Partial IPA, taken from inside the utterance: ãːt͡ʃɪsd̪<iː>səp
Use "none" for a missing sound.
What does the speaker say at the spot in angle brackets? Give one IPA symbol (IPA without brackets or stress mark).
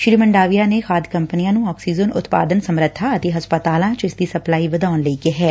iː